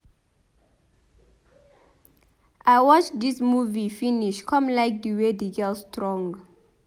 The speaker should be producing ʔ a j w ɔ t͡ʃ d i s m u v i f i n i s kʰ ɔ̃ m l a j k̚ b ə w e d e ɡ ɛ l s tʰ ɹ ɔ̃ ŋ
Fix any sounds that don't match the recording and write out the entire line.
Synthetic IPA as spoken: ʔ a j w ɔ t͡ʃ d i s m u v i f i n i ʃ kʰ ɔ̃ m l a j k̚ d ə w e d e ɡ ɛ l s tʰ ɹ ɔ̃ ŋ